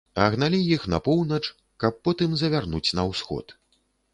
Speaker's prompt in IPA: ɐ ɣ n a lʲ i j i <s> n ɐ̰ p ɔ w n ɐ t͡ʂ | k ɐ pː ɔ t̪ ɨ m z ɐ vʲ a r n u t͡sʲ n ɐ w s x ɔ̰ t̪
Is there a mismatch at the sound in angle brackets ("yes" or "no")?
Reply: yes